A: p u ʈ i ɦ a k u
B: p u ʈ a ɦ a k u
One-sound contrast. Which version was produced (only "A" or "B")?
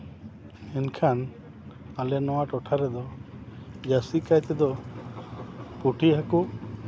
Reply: A